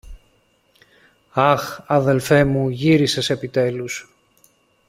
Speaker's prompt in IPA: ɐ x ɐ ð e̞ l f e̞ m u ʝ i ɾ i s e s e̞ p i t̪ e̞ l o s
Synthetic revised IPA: ɐ x ɐ ð e̞ l f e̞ m u ʝ i ɾ i s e s e̞ p i t̪ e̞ l u s